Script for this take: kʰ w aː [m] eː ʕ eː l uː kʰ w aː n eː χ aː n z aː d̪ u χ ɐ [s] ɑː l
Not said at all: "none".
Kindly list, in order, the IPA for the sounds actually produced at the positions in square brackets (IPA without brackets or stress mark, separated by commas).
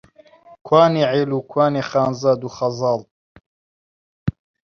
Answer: n, z